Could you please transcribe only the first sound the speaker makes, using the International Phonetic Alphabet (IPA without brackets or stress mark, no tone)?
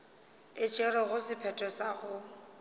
ɪ